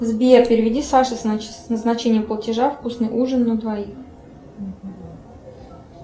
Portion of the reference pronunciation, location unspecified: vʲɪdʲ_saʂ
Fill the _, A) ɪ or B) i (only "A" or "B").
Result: B